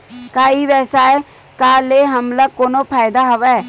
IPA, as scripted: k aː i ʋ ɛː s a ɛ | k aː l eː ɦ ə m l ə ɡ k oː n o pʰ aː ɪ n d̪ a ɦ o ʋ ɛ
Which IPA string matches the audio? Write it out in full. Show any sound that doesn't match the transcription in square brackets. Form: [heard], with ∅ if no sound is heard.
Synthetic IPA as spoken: k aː i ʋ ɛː s a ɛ | k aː l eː ɦ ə m l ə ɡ k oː n o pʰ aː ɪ [∅] d̪ a ɦ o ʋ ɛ